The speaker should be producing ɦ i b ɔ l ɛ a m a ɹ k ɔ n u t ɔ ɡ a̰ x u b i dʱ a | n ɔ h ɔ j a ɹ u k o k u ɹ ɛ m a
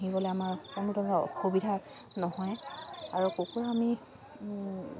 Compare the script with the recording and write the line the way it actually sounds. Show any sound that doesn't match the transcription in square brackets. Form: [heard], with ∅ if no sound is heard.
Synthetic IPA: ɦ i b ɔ l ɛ a m a ɹ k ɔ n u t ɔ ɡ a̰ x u b i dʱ a | n ɔ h ɔ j a ɹ u k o k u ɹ [a] m [i]